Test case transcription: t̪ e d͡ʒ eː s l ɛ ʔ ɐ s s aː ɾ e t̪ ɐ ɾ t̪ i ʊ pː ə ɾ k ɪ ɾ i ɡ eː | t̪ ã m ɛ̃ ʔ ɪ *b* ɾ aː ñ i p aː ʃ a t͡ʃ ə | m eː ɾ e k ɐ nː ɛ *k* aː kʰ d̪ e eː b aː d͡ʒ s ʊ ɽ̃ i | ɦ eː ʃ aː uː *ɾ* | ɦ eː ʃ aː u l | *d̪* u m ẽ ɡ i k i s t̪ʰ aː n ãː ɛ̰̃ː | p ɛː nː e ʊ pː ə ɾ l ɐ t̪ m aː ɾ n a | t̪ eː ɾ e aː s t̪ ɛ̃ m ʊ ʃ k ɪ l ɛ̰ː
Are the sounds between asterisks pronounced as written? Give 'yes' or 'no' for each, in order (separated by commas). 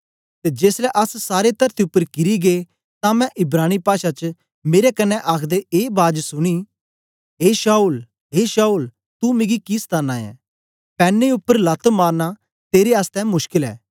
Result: yes, no, no, no